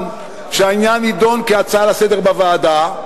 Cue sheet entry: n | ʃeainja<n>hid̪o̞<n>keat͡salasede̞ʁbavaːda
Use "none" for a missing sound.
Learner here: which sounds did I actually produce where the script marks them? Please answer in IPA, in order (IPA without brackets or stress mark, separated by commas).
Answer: n, n